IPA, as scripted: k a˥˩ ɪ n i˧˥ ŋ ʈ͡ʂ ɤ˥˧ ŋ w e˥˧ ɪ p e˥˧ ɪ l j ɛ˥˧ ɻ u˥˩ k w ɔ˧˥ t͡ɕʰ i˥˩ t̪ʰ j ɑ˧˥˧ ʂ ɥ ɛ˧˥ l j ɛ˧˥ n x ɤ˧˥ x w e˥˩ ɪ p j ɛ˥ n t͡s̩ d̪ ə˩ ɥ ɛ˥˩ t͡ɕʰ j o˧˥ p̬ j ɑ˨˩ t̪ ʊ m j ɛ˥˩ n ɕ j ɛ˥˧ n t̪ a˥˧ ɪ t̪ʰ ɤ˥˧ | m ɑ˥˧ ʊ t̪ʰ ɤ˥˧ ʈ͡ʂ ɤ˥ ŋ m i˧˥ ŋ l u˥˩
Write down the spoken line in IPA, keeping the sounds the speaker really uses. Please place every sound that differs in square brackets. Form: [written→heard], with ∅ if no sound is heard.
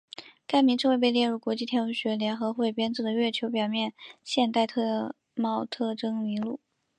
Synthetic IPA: k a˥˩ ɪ [n→m] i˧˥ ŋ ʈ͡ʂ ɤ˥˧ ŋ w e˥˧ ɪ p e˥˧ ɪ l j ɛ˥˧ ɻ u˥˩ k w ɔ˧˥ [t͡ɕʰ→t͡ɕ] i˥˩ t̪ʰ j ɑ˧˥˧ [ʂ→ɕ] ɥ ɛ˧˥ l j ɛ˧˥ n x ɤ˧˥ x w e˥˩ ɪ p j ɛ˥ n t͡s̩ d̪ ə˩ ɥ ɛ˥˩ t͡ɕʰ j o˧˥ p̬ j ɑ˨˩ [t̪→∅] ʊ m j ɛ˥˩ n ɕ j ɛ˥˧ n t̪ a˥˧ ɪ t̪ʰ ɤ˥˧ | m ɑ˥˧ ʊ t̪ʰ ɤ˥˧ ʈ͡ʂ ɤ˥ ŋ m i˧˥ ŋ l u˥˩